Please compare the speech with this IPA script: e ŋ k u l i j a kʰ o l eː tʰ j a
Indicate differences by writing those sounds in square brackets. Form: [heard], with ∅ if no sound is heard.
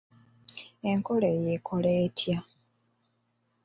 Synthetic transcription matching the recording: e ŋ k [o] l [e] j [e] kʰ o l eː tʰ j a